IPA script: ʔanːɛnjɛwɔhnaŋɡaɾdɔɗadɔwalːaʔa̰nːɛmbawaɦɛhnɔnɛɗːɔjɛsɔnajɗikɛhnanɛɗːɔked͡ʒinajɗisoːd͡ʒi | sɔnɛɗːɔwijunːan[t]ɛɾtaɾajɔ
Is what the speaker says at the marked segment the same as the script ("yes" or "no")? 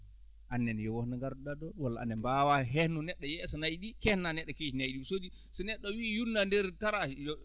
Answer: no